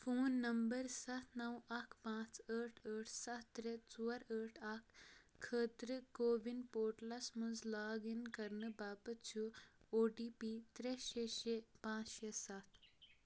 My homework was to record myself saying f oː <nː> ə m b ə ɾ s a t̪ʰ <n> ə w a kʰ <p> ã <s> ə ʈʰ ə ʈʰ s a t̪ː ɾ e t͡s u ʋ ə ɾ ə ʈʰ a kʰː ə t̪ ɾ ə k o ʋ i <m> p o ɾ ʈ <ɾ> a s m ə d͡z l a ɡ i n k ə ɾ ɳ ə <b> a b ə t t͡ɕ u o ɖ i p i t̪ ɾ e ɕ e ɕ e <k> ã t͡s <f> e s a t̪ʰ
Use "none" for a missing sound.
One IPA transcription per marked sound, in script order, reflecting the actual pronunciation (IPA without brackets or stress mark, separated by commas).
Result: nː, n, p, t͡s, n, l, b, p, ɕ